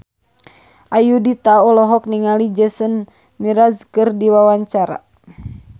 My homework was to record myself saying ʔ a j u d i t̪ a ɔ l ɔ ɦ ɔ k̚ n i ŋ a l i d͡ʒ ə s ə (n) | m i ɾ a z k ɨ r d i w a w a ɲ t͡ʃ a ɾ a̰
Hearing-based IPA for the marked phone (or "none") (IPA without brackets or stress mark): n